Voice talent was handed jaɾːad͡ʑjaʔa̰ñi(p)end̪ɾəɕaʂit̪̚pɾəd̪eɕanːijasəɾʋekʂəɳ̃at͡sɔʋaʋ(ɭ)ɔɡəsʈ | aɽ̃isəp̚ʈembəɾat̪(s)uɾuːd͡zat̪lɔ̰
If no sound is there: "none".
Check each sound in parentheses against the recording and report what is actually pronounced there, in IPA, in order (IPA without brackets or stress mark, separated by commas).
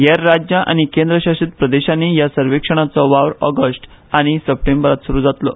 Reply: k, ɾ, s